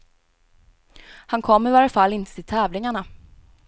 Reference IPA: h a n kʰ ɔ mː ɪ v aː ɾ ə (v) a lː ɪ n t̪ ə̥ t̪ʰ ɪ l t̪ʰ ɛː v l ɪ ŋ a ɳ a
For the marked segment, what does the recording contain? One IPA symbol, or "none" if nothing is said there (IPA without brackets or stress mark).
f